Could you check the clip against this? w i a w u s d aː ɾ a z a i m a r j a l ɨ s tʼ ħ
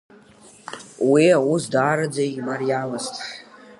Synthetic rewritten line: w i a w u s d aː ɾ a d͡z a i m a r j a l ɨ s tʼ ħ